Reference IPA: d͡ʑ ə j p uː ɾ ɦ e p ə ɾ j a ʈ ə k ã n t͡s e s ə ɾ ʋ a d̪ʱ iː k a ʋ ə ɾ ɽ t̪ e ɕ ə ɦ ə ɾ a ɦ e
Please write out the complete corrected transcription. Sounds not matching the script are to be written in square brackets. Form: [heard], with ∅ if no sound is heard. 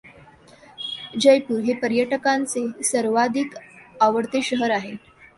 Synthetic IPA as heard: d͡ʑ ə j p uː ɾ ɦ e p ə ɾ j [ə] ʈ ə k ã n t͡s e s ə ɾ ʋ a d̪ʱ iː k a ʋ ə [∅] ɽ t̪ e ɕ ə ɦ ə ɾ a ɦ e